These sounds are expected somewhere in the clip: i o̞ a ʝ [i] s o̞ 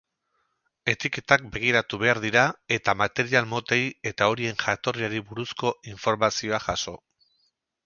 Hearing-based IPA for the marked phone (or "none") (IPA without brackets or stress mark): a